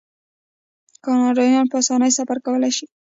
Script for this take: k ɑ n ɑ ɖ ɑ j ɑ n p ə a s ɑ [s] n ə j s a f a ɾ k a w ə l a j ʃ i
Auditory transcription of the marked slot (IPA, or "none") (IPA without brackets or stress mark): none